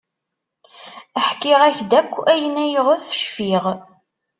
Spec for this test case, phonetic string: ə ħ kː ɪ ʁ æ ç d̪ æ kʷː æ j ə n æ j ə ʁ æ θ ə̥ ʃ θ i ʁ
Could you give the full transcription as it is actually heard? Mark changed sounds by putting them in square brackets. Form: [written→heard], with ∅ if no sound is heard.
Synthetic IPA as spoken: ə ħ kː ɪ ʁ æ ç d̪ æ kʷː æ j ə n æ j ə ʁ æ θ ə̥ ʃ [θ→f] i ʁ